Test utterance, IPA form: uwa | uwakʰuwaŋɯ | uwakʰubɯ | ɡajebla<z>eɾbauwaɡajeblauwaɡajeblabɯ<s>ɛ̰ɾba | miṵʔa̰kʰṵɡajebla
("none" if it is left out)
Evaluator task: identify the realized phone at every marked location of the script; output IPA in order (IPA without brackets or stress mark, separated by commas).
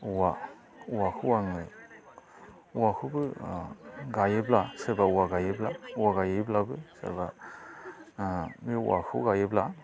s, s